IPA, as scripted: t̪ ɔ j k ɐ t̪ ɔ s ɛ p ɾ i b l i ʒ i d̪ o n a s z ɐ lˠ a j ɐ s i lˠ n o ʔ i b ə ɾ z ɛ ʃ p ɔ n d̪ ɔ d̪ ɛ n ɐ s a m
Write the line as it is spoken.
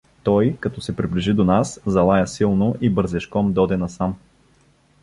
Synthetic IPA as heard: t̪ ɔ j k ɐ t̪ ɔ s ɛ p ɾ i b l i ʒ i d̪ o n a s z ɐ lˠ a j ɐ s i lˠ n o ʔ i b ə ɾ z ɛ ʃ k ɔ m d̪ ɔ d̪ ɛ n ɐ s a m